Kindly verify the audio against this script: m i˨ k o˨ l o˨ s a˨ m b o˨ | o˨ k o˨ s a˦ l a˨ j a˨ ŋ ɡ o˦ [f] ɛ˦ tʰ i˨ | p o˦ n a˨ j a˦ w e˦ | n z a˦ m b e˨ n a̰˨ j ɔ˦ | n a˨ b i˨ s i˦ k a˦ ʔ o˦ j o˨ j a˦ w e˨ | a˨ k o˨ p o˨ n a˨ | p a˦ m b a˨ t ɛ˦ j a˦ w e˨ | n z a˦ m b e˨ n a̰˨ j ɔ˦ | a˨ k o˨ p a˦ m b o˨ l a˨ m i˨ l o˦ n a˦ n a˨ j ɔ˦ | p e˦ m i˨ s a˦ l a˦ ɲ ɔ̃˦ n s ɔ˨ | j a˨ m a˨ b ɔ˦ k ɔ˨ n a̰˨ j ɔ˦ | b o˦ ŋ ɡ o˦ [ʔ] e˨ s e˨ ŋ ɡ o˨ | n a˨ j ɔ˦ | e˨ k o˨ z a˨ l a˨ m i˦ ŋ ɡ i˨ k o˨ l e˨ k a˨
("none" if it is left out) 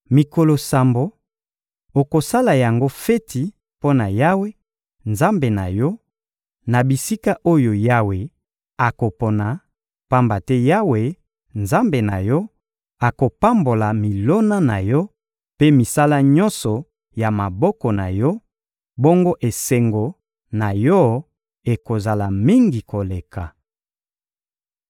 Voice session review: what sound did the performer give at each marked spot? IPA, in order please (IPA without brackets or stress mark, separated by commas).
f, ʔ